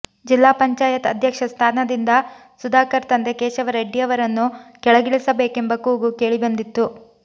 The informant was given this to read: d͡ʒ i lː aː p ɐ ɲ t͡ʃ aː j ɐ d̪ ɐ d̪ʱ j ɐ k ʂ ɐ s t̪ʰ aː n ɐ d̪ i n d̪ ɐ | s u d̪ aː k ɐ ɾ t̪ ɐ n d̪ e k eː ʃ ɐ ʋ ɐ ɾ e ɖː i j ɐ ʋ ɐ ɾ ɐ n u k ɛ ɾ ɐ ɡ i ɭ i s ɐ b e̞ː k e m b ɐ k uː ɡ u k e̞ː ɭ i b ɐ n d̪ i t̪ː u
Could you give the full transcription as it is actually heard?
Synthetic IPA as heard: d͡ʒ i lː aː p ɐ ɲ t͡ʃ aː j ɐ t̪ ɐ d̪ʱ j ɐ k ʂ ɐ s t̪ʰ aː n ɐ d̪ i n d̪ ɐ | s u d̪ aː k ɐ ɾ t̪ ɐ n d̪ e k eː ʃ ɐ ʋ ɐ ɾ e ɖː i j ɐ ʋ ɐ ɾ ɐ nː u k ɛ ɭ ɐ ɡ i ɭ i s ɐ b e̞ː k e m b ɐ k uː ɡ u k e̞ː ɭ i b ɐ n d̪ i t̪ː u